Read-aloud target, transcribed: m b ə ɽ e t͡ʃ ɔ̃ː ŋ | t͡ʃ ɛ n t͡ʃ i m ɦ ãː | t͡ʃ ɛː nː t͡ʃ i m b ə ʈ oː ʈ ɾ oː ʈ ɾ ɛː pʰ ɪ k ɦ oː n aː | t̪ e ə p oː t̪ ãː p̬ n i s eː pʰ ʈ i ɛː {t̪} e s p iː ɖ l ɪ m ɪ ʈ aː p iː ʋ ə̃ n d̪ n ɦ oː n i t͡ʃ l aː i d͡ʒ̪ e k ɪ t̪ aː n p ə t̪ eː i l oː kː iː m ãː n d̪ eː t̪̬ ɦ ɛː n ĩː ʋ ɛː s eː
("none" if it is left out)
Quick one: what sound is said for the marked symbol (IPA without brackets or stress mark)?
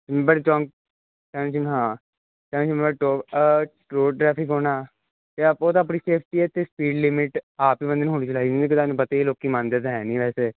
t̪